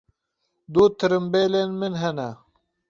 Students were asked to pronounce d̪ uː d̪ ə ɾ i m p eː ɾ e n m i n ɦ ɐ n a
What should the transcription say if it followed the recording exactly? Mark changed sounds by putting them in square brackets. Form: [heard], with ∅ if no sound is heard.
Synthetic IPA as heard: d̪ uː [t̪] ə ɾ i m [b] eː [l] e n m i n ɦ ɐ n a